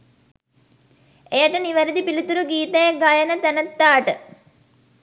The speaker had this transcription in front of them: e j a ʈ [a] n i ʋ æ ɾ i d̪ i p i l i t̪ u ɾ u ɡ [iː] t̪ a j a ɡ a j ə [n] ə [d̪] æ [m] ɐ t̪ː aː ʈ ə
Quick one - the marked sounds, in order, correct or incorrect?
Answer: incorrect: ə, correct, correct, incorrect: t̪, incorrect: n

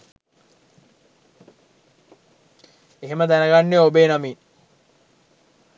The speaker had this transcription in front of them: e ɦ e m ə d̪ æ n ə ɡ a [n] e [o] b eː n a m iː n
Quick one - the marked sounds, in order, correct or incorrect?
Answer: incorrect: nː, correct

